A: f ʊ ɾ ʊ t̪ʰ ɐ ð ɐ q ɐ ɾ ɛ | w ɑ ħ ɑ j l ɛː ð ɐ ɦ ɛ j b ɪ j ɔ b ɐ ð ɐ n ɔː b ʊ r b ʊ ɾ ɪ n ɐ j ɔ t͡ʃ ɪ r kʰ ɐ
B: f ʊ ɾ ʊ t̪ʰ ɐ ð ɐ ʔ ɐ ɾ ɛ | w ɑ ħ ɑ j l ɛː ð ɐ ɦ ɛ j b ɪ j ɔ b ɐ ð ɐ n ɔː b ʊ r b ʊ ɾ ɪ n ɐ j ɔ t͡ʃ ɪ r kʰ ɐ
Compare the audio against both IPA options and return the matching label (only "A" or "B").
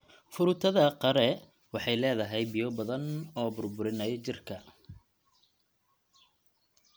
A